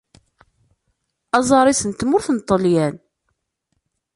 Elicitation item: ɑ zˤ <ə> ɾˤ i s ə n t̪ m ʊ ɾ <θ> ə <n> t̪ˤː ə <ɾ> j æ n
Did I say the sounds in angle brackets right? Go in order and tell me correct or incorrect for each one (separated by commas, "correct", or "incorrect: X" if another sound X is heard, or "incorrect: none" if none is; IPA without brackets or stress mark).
incorrect: ɑ, correct, correct, incorrect: l